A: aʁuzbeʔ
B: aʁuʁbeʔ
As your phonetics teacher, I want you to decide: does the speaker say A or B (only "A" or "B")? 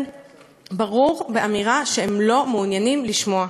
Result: B